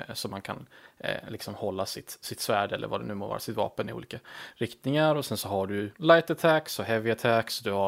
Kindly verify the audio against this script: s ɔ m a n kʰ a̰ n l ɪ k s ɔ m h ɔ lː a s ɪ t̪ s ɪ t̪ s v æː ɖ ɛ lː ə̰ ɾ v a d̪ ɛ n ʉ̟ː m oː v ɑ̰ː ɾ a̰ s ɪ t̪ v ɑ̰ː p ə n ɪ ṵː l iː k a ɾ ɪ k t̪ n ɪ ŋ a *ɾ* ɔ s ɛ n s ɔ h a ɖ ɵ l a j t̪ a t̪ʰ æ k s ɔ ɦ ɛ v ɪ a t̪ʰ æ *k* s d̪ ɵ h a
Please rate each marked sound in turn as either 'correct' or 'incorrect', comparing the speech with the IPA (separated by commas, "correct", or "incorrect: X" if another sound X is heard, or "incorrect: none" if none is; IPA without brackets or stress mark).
correct, correct